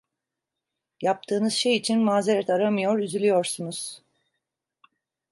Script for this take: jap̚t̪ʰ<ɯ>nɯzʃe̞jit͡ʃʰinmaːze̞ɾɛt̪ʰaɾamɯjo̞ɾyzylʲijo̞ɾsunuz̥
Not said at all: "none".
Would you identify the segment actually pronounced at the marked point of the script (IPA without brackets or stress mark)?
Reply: ɯː